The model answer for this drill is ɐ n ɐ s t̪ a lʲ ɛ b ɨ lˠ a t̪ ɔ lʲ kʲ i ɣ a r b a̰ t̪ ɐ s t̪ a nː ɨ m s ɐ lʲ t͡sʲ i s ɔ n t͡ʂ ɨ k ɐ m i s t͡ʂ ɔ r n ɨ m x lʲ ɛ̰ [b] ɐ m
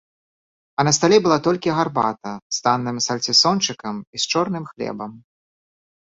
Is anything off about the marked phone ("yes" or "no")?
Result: no